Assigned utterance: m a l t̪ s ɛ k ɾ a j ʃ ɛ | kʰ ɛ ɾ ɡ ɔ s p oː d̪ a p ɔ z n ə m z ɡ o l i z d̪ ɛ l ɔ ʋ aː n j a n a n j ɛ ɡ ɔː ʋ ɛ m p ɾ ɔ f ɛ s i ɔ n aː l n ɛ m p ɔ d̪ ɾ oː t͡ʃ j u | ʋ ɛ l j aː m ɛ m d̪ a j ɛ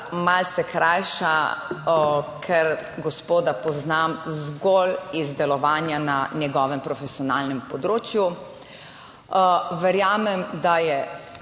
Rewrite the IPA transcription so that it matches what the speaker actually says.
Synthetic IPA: m a l t̪ s ɛ k ɾ a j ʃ a | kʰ ɛ ɾ ɡ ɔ s p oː d̪ a p ɔ z n a m z ɡ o l i z d̪ ɛ l ɔ ʋ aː n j a n a n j ɛ ɡ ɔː ʋ ɛ m p ɾ ɔ f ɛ s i ɔ n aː l n ɛ m p ɔ d̪ ɾ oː t͡ʃ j u | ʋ ɛ ɾ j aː m ɛ m d̪ a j ɛ